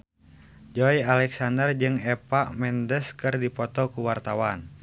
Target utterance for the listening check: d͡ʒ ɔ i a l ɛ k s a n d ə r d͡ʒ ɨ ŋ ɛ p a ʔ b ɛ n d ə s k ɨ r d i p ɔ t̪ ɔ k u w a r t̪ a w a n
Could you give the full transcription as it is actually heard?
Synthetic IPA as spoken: d͡ʒ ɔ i a l ɛ k s a n d ə r d͡ʒ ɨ ŋ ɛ p a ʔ m ɛ n d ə s k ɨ r d i p ɔ t̪ ɔ k u w a r t̪ a w a n